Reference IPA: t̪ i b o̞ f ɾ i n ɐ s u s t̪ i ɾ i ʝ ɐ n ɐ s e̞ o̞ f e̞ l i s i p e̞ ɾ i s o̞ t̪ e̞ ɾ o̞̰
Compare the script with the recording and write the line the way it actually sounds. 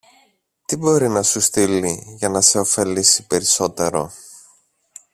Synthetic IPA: t̪ i b o̞ ɾ i n ɐ s u s t̪ i l i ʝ ɐ n ɐ s e̞ o̞ f e̞ l i s i p e̞ ɾ i s o̞ t̪ e̞ ɾ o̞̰